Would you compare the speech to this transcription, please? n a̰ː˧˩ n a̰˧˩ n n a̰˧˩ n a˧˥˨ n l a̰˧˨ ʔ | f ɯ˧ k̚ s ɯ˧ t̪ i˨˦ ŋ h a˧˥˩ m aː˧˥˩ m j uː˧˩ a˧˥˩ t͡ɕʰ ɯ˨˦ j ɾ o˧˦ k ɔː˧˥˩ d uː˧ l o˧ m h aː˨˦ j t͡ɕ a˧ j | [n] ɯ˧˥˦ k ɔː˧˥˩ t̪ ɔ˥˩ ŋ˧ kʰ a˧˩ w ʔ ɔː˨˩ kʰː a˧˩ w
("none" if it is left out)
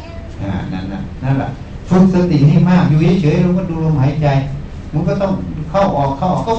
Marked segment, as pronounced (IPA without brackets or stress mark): m